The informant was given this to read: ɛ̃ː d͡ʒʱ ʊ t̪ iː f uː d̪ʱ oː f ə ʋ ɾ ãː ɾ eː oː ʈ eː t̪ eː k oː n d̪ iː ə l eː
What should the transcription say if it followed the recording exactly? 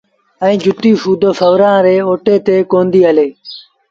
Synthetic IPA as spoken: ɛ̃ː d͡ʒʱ ʊ t̪ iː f uː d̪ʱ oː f ə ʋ ɾ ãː ɾ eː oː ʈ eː t̪ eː k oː n d̪ iː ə l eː